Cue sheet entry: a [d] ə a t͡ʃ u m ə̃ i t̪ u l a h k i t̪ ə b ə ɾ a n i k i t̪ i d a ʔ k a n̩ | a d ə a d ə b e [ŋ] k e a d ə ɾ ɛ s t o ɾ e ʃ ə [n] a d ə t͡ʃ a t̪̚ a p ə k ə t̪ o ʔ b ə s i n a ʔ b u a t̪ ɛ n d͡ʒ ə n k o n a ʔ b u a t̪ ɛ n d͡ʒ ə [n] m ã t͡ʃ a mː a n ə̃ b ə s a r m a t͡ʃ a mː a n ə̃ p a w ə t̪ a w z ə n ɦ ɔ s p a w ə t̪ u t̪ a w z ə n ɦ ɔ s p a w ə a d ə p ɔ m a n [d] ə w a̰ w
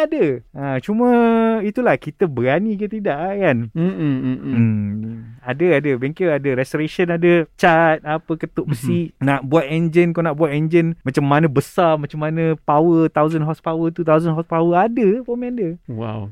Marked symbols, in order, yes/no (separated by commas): yes, yes, yes, yes, yes